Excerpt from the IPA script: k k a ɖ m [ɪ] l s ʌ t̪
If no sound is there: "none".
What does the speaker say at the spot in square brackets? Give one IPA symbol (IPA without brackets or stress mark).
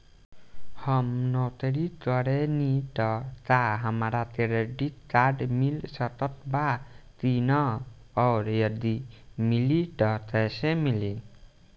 i